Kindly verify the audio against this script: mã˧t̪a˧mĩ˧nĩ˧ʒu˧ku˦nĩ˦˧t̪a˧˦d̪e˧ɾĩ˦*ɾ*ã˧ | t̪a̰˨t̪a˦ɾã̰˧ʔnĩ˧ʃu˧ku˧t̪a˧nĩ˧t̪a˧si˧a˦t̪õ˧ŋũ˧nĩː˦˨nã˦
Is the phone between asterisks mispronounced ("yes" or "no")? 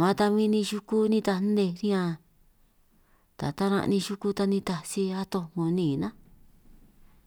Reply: yes